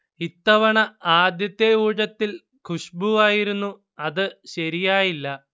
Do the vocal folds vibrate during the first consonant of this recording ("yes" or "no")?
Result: no